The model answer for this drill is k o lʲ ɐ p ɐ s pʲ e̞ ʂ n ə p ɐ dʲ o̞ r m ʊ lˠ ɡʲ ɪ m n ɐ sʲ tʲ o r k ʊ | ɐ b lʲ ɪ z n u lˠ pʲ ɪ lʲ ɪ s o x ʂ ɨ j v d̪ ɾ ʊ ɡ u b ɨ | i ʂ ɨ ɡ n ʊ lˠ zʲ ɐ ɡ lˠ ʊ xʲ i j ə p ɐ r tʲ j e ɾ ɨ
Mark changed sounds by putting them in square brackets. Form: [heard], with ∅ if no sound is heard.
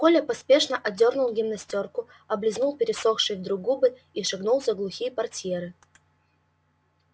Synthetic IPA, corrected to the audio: k o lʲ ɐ p ɐ s pʲ e̞ ʂ n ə [ʔ] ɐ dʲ o̞ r [n] ʊ lˠ ɡʲ ɪ m n ɐ sʲ tʲ o r k ʊ | ɐ b lʲ ɪ z n u lˠ pʲ ɪ [ɾʲ] ɪ s o x ʂ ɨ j v d̪ ɾ ʊ ɡ u b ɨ | i ʂ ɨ ɡ n [u] lˠ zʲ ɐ ɡ lˠ ʊ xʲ i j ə p ɐ r tʲ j e ɾ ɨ